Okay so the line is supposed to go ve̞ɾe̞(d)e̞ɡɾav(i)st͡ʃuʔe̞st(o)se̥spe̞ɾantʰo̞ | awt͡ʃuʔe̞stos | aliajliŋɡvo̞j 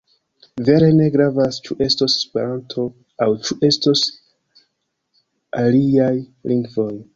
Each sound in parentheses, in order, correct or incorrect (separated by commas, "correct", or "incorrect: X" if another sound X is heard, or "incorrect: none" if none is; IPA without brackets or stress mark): incorrect: n, incorrect: a, correct